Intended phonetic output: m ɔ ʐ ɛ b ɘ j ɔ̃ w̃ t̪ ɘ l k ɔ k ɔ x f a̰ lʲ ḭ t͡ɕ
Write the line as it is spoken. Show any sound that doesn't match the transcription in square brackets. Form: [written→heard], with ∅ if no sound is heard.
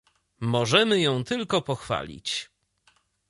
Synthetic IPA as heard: m ɔ ʐ ɛ [b→m] ɘ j ɔ̃ w̃ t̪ ɘ l k ɔ [k→p] ɔ x f a̰ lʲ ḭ t͡ɕ